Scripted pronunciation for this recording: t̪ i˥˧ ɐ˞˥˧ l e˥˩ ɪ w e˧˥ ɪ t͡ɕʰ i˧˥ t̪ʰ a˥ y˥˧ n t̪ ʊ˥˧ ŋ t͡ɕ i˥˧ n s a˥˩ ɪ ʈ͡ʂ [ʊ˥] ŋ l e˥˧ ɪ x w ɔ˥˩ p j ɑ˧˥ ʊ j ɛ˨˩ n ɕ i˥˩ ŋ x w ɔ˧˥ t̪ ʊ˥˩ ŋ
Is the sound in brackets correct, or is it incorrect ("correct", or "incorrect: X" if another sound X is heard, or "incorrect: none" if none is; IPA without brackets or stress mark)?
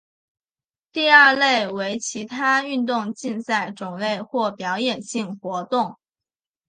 incorrect: ʊ˨˩